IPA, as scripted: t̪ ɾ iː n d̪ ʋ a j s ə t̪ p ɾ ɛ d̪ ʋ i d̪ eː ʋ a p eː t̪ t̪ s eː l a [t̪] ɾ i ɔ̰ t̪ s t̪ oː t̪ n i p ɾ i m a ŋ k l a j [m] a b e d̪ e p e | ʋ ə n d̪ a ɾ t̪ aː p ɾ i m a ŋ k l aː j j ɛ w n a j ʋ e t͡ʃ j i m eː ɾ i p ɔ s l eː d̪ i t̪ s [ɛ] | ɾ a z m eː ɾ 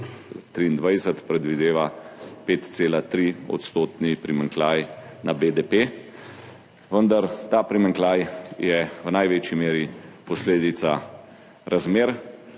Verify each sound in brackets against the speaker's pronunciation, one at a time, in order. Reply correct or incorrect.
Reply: correct, incorrect: n, incorrect: a

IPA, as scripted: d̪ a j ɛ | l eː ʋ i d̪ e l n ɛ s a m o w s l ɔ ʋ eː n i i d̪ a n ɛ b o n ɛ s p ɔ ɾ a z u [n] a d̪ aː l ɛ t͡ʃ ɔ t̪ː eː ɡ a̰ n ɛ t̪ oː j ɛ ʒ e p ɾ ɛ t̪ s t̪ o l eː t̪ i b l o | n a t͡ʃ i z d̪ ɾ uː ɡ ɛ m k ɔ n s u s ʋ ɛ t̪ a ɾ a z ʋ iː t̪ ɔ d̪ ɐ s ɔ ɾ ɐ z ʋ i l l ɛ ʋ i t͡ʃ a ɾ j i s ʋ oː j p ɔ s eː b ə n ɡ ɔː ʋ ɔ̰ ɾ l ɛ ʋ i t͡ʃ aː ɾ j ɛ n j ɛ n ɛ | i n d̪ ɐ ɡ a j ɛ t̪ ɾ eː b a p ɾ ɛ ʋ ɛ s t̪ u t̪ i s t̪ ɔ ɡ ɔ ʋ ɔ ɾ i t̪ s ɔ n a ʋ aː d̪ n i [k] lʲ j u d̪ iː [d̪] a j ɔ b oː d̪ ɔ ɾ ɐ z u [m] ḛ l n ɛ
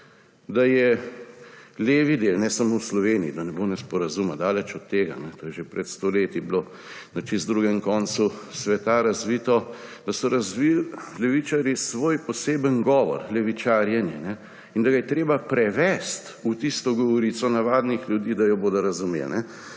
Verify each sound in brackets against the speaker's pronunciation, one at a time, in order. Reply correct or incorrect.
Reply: incorrect: m, incorrect: x, correct, correct

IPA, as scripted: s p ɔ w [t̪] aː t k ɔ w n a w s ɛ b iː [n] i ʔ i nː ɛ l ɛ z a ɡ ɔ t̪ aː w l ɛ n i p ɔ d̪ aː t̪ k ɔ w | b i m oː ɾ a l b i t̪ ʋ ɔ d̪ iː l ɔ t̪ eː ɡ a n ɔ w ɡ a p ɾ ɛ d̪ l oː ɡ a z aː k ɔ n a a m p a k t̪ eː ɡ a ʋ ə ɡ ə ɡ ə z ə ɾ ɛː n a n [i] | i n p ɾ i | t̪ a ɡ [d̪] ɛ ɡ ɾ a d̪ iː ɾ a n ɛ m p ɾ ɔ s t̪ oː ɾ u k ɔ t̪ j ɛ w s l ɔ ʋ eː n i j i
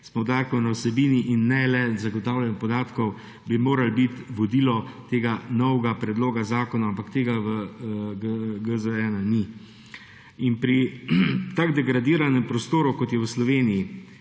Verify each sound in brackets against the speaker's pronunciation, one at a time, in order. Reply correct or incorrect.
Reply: incorrect: d̪, correct, correct, correct

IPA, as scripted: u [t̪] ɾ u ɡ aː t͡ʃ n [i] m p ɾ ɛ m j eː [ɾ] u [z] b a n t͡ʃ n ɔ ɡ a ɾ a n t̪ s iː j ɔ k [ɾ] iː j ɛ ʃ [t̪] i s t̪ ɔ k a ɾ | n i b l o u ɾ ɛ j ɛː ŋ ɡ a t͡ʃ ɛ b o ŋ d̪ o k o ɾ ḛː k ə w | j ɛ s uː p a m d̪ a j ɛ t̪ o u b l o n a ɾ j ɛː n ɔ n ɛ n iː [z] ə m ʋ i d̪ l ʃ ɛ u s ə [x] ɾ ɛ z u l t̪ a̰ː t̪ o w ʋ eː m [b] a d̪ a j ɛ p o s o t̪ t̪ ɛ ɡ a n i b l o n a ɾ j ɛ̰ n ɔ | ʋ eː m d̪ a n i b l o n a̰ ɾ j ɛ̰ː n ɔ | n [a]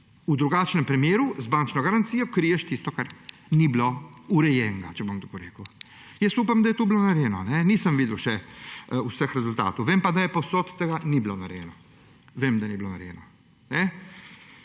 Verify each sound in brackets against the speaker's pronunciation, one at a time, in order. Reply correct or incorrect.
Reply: incorrect: d̪, incorrect: ɛ, correct, correct, correct, correct, incorrect: s, correct, incorrect: p, incorrect: ɛ

